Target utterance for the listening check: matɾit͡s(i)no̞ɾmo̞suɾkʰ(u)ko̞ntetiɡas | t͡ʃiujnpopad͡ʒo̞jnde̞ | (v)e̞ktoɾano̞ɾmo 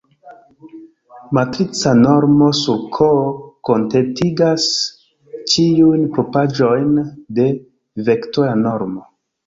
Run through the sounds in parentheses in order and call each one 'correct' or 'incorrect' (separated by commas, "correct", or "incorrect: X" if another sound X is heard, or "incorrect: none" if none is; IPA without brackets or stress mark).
incorrect: a, incorrect: o, correct